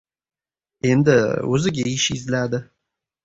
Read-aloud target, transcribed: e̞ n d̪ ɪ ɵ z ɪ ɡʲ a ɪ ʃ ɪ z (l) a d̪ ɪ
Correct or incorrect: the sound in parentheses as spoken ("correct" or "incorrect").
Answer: correct